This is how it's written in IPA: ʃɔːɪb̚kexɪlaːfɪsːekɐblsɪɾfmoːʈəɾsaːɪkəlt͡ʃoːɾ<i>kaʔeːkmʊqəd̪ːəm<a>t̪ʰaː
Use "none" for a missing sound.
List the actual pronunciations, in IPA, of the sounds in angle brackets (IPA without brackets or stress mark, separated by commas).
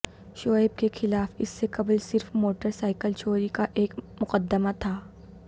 i, a